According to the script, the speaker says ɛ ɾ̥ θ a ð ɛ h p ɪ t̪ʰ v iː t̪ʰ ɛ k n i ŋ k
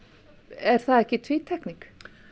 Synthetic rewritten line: ɛ ɾ̥ θ a ð ɛ h c ɪ t̪ʰ v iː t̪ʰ ɛ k n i ŋ k